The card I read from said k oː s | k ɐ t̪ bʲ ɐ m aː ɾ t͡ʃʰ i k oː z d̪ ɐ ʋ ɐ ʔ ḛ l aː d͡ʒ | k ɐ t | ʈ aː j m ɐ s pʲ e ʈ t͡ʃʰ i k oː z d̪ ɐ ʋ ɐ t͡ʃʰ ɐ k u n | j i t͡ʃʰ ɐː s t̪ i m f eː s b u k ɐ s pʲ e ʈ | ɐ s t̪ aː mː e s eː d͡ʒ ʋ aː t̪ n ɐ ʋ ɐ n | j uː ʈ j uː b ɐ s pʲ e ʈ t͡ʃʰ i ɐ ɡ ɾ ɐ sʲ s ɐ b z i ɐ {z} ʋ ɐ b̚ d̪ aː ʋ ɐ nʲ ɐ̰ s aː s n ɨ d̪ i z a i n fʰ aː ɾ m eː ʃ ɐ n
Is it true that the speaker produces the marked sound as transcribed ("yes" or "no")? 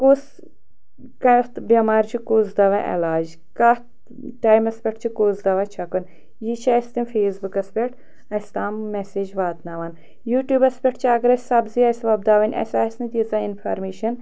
no